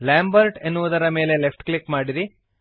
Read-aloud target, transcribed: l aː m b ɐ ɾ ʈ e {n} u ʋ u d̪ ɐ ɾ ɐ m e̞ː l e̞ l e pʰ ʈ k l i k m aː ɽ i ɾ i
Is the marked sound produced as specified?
no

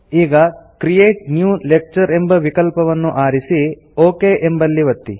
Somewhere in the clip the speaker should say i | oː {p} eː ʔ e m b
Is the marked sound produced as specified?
no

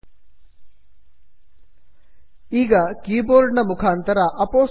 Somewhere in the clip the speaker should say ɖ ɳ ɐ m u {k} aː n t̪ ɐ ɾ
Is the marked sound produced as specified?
no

